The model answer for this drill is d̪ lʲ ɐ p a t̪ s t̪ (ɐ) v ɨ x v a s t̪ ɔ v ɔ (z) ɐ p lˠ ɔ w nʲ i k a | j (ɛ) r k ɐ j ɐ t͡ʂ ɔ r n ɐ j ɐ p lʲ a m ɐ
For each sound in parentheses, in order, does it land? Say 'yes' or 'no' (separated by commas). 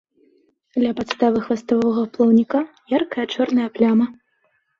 no, no, no